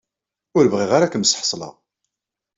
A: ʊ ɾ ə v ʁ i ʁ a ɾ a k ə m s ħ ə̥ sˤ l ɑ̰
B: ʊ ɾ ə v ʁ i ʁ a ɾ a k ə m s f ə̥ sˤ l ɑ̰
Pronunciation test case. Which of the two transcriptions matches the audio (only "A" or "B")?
A